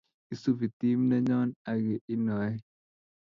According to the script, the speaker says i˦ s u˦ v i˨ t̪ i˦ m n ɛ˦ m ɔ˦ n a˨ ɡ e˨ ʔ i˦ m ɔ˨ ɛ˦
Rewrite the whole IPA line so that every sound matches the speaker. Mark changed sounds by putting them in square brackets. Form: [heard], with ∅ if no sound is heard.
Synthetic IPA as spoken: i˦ s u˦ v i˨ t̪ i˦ m n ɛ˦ [ɲ] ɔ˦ n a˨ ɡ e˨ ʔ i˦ [n] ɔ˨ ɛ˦